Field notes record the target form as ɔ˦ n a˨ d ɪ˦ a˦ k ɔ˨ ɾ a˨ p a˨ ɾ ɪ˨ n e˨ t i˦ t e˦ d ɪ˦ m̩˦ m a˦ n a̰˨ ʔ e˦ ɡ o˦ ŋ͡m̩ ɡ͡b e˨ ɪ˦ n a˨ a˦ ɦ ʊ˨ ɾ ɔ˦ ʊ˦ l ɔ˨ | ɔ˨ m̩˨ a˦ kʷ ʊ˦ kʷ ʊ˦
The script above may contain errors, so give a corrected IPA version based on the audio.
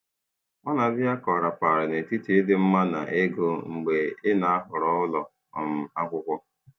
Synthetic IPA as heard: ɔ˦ n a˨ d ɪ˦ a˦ k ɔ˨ ɾ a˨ p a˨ ɾ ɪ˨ n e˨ t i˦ t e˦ d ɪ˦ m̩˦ m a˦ n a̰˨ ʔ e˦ ɡ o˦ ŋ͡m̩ ɡ͡b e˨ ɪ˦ n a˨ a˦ ɦ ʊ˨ ɾ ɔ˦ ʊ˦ l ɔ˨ | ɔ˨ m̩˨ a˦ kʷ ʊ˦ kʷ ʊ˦

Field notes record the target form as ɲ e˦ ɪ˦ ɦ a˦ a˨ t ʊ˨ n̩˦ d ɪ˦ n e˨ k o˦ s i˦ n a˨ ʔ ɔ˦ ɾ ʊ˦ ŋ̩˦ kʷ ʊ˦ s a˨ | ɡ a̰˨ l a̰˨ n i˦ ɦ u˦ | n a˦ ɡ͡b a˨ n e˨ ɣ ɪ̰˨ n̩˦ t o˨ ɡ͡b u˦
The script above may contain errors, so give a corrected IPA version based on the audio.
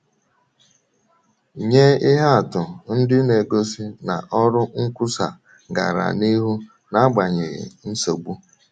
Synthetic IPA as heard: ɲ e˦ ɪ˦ ɦ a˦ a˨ t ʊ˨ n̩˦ d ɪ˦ n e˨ ɡ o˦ s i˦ n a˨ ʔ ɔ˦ ɾ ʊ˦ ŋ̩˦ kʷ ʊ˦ s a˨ | ɡ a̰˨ ɾ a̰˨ n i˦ ɦ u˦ | n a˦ ɡ͡b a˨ ɲ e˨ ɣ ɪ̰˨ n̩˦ s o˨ ɡ͡b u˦

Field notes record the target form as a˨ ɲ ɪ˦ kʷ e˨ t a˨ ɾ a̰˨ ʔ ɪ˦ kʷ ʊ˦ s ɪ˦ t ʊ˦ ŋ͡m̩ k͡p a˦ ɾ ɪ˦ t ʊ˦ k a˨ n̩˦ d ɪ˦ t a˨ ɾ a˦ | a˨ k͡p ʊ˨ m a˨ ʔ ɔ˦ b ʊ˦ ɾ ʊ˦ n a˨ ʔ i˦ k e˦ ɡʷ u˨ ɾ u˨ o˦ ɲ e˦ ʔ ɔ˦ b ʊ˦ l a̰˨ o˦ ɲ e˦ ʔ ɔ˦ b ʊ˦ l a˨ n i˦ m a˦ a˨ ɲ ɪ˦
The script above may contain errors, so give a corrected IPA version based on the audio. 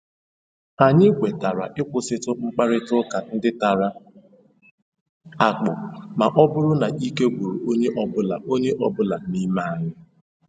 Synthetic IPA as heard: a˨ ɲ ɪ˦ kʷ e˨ t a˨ ɾ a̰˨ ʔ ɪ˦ kʷ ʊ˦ s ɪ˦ t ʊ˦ ŋ͡m̩ k͡p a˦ ɾ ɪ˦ t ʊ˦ k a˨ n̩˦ d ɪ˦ t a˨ ɾ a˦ | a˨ k͡p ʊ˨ m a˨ ʔ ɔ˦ b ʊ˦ ɾ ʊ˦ n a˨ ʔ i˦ k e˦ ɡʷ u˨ ɾ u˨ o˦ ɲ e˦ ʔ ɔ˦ b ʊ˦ l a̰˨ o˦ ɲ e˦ ʔ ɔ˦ b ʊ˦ l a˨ n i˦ m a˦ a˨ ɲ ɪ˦

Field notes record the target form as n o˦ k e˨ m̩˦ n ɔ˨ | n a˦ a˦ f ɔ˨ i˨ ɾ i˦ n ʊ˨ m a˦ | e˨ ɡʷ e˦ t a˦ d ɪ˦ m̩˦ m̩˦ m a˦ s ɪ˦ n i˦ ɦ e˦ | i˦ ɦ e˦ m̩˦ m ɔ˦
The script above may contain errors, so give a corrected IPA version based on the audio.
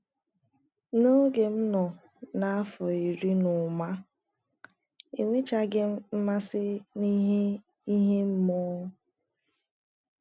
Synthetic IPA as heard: n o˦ ɡ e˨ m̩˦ n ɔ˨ | n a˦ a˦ f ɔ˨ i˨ ɾ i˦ n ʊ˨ m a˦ | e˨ ŋʷ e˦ t͡ʃ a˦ ɡ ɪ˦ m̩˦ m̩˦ m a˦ s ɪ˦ n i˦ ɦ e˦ | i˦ ɦ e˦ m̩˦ m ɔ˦

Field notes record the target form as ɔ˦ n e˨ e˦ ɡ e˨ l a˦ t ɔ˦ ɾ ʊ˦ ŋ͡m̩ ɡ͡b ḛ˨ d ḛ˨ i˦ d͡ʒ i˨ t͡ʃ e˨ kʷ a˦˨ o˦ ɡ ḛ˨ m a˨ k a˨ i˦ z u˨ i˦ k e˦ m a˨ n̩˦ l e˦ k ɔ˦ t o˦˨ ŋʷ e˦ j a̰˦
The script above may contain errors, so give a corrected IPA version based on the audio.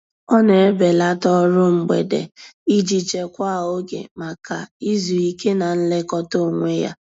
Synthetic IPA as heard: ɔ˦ n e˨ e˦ b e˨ l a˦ t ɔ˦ ɾ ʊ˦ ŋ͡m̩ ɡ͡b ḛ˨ d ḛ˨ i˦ d͡ʒ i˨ t͡ʃ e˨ kʷ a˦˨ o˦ ɡ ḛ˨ m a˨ k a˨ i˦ z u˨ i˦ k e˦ n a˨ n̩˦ l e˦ k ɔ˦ t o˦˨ ŋʷ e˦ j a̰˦

